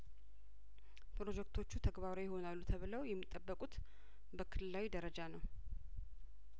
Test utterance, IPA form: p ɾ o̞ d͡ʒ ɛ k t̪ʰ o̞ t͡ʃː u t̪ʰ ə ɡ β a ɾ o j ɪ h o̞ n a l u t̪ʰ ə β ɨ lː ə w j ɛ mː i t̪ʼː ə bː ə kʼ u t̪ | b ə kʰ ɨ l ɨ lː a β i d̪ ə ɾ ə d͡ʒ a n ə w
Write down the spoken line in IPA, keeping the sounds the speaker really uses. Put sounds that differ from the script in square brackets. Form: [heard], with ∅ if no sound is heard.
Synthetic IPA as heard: p ɾ o̞ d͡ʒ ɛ k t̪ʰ o̞ t͡ʃː u t̪ʰ ə ɡ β a ɾ o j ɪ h o̞ n a [lː] u t̪ʰ ə β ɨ [l] ə w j ɛ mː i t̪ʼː ə bː ə kʼ u t̪ | b ə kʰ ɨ l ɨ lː a [w] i d̪ ə ɾ ə d͡ʒ a n ə w